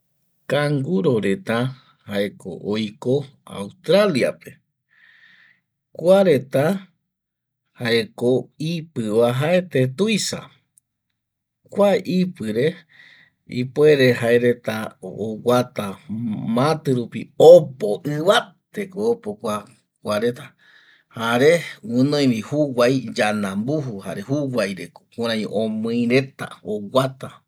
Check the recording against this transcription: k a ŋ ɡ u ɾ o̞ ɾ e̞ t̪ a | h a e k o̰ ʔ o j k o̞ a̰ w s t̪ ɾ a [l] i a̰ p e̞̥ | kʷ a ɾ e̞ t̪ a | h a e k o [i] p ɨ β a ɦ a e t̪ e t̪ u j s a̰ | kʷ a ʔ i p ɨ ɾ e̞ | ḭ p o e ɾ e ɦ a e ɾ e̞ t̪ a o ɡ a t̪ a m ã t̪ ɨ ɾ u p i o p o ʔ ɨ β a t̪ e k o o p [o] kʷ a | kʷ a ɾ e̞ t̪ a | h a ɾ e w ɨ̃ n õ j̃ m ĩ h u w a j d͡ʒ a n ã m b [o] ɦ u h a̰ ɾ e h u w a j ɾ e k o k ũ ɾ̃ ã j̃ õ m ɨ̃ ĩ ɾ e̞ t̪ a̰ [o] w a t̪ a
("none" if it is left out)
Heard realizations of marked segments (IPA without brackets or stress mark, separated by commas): l, i, o, u, o